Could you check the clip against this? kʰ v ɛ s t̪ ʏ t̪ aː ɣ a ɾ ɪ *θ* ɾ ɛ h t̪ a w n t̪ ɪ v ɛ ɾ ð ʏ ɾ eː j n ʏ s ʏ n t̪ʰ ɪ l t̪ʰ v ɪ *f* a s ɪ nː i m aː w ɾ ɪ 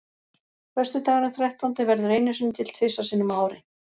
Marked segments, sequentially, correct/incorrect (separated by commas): correct, incorrect